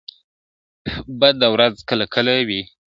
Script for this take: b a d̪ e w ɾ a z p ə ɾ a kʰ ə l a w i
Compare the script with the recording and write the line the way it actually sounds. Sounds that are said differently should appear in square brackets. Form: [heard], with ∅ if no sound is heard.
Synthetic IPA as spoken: b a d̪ [a] w ɾ a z [k] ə [l] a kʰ ə l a w i